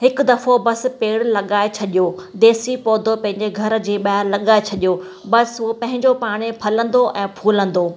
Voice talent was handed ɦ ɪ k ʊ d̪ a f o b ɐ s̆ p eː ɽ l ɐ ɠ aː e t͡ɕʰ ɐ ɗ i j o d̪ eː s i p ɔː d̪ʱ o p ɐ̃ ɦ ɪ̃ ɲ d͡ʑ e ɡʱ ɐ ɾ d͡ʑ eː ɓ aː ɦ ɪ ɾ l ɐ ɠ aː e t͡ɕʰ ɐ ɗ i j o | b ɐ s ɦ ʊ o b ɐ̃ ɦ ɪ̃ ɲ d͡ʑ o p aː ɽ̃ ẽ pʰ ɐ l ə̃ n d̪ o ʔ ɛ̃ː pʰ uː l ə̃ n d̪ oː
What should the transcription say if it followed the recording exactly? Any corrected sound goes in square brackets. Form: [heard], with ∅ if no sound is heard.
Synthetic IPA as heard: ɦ ɪ k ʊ d̪ [ɐ] f o b ɐ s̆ p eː ɽ l ɐ ɠ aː e t͡ɕʰ ɐ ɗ i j o d̪ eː s i p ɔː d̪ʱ o p ɐ̃ ɦ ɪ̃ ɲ d͡ʑ e ɡʱ ɐ ɾ d͡ʑ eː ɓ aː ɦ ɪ ɾ l ɐ ɠ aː e t͡ɕʰ ɐ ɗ i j o | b ɐ s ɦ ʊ o [p] ɐ̃ ɦ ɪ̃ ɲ d͡ʑ o p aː ɽ̃ [e] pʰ ɐ l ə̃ n d̪ o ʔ ɛ̃ː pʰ uː l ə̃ n d̪ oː